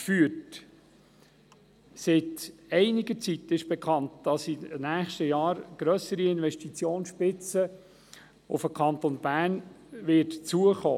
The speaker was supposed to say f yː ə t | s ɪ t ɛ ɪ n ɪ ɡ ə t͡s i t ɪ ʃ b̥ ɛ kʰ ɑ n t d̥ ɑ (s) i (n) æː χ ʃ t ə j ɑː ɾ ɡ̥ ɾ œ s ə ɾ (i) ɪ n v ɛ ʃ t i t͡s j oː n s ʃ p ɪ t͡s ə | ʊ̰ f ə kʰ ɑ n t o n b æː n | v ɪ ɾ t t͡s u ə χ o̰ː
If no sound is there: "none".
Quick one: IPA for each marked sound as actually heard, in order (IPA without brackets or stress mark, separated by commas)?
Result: s, n, i